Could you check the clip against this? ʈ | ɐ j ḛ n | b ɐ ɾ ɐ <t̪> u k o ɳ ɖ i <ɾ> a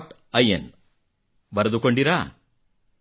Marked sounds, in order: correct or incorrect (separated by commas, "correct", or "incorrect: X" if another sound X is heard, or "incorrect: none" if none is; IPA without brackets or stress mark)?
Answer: incorrect: d̪, correct